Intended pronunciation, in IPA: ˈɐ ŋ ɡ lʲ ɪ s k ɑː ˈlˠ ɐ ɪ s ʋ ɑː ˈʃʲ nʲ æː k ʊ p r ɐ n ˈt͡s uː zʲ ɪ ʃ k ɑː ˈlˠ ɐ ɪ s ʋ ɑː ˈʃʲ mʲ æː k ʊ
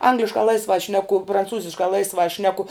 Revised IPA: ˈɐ ŋ ɡ lʲ ɪ ʃ k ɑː ˈlˠ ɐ ɪ s ʋ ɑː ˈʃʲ nʲ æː k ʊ p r ɐ n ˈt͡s uː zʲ ɪ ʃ k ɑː ˈlˠ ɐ ɪ s ʋ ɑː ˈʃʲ nʲ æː k ʊ